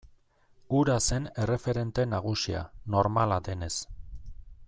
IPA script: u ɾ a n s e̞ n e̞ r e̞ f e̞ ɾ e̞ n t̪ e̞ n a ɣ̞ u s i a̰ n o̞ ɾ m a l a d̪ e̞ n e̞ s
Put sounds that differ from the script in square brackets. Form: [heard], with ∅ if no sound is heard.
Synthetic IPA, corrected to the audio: u ɾ a [∅] s e̞ n e̞ r e̞ f e̞ ɾ e̞ n t̪ e̞ n a ɣ̞ u s i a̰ n o̞ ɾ m a l a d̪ e̞ n e̞ s